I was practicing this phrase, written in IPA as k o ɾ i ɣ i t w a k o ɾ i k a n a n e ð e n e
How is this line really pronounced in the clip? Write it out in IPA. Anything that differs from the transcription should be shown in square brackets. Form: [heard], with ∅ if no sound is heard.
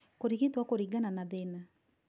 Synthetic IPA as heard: k o ɾ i ɣ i t w a k o ɾ i [ɡ] a n a n [a] ð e n [a]